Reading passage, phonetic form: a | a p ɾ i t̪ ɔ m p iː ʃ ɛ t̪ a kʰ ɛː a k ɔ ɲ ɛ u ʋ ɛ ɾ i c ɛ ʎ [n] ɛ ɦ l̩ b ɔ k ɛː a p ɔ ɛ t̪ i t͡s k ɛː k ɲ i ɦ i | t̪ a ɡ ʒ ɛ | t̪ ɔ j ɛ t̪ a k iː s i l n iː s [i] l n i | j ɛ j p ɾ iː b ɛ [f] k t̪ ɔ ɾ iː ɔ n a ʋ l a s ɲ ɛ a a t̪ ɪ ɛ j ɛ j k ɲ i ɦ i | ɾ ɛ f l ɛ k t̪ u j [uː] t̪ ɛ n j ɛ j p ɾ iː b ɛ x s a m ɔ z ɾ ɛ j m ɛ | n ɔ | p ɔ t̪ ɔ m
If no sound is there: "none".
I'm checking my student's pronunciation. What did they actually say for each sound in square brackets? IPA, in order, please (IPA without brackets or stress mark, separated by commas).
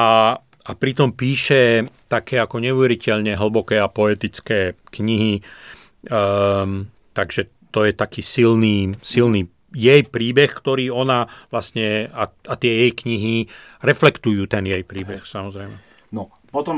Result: ɲ, i, x, uː